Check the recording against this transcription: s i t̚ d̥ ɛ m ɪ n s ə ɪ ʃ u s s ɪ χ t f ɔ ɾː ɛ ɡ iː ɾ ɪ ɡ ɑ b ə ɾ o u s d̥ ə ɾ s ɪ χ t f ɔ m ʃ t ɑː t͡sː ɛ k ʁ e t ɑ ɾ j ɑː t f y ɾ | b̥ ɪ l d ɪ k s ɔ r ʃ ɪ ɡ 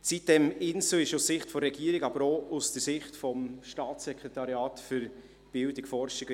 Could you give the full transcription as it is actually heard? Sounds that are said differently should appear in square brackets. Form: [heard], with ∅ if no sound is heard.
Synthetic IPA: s i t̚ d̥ ɛ m ɪ n s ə ɪ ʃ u s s ɪ χ t f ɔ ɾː ɛ ɡ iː ɾ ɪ ɡ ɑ b ə ɾ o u s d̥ ə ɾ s ɪ χ t f ɔ m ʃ t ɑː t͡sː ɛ k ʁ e t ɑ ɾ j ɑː t f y ɾ | b̥ ɪ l d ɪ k [f] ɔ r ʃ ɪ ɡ